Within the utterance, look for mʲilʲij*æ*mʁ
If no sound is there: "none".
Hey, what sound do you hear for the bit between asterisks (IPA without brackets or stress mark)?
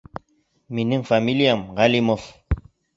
a